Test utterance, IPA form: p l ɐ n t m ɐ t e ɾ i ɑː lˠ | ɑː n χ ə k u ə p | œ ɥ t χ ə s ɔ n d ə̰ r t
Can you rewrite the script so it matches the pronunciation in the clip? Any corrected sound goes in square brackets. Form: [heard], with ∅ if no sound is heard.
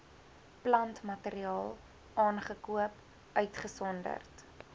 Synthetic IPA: p l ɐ n t m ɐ t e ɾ i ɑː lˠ | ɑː n χ ə k u ə p | œ ɥ t χ ə s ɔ n d ə̰ r t

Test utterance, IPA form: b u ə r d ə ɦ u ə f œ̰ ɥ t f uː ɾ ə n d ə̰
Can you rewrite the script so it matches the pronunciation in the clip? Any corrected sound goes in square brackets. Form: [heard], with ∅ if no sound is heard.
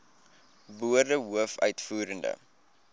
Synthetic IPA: b u ə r d ə ɦ u ə f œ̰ ɥ t f uː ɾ ə n d ə̰

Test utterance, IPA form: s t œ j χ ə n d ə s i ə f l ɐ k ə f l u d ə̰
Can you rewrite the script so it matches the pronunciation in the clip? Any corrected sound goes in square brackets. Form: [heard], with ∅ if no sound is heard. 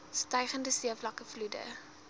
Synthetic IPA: s t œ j χ ə n d ə s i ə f l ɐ k ə f l u d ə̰

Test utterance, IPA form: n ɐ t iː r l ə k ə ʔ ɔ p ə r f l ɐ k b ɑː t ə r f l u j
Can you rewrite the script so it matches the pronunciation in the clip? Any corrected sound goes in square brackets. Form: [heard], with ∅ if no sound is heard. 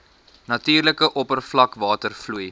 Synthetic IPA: n ɐ t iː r l ə k ə ʔ ɔ p ə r f l ɐ k [v] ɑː t ə r f l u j

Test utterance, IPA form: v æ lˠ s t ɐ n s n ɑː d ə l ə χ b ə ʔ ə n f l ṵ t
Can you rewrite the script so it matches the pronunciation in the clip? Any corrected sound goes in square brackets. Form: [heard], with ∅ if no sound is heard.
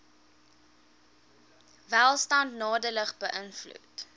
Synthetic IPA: v æ lˠ s t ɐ n [t] n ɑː d ə l ə χ b ə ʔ ə n f l ṵ t

